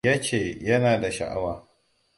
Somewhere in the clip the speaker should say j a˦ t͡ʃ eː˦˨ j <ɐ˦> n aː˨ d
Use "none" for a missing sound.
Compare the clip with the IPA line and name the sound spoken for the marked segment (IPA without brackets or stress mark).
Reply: ɐ˦